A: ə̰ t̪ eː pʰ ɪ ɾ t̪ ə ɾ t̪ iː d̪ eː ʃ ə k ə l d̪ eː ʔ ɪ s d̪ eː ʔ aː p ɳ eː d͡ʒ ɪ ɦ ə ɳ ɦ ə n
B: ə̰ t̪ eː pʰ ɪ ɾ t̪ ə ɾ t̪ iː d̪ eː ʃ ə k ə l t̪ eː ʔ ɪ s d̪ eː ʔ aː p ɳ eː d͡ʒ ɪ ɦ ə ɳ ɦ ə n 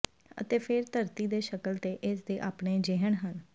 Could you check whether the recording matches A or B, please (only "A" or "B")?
B